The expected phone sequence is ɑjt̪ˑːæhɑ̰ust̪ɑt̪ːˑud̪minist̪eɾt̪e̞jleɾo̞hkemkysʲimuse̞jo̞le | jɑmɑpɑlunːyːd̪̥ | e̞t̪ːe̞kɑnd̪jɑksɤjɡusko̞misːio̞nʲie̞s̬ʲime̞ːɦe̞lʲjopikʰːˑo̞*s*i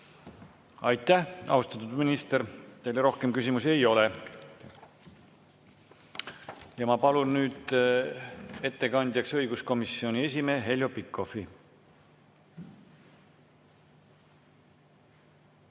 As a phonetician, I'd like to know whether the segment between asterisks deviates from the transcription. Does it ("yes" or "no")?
yes